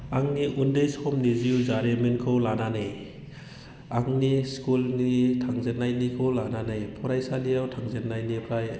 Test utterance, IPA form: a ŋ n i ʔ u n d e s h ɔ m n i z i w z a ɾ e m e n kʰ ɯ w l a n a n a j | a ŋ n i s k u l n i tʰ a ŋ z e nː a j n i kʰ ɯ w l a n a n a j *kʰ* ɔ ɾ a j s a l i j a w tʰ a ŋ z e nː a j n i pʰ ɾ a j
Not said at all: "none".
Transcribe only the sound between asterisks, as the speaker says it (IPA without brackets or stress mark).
pʰ